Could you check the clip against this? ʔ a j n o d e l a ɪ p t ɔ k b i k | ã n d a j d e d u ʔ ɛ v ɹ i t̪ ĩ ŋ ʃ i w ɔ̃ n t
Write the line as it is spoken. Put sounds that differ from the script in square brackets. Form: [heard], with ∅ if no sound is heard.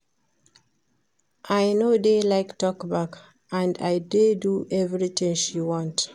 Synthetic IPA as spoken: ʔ a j n o d e l a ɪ [k] t ɔ k b [a] k | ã n d a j d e d u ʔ ɛ v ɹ i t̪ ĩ ŋ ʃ i w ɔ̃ n t